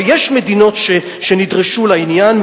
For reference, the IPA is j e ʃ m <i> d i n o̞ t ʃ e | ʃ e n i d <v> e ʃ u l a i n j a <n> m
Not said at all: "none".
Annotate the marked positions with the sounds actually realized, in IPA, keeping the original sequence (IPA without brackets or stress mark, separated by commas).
e, ʁ, n